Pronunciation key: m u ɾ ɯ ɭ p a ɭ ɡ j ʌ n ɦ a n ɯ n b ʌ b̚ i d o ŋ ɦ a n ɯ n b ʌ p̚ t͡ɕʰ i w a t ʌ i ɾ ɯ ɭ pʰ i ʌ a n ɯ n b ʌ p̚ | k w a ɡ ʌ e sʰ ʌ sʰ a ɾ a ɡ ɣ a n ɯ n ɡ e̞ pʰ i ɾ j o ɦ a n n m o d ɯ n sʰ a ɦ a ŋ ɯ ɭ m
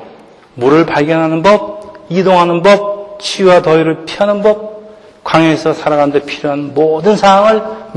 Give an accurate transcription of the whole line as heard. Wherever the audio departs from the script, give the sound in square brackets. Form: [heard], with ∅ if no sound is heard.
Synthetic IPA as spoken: m u ɾ ɯ ɭ p a ɭ ɡ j ʌ n ɦ a n ɯ n b ʌ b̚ i d o ŋ ɦ a n ɯ n b ʌ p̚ t͡ɕʰ i w a t ʌ i ɾ ɯ ɭ pʰ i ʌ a n ɯ n b ʌ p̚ | k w a [ŋ] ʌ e sʰ ʌ sʰ a ɾ a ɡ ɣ a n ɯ n [d] e̞ pʰ i ɾ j o ɦ a n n m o d ɯ n sʰ a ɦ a ŋ ɯ ɭ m